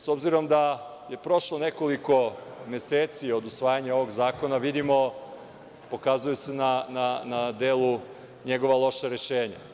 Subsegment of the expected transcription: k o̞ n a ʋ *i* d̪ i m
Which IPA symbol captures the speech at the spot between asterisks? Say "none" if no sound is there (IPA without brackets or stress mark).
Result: i